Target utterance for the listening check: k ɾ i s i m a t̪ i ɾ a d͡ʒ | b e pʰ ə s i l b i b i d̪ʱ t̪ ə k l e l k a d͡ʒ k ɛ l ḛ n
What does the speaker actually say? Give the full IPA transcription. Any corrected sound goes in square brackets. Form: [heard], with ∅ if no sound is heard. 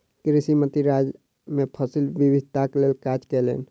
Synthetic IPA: k ɾ i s i m [ə] t̪ i ɾ a d͡ʒ | [m] e pʰ ə s i l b i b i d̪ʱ t̪ [a] k l e l k a d͡ʒ k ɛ l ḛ n